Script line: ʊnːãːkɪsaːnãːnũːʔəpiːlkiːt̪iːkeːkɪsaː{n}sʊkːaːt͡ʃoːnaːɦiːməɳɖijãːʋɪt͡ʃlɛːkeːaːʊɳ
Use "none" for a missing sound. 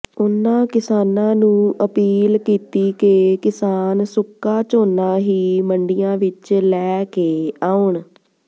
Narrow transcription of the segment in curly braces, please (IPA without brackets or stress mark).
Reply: n